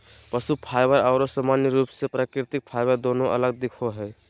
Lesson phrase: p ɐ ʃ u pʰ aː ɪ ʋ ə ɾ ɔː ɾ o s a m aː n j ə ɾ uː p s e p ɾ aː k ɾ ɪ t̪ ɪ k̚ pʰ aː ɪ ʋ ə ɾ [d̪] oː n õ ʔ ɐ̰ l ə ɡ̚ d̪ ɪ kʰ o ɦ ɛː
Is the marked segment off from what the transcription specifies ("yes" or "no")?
no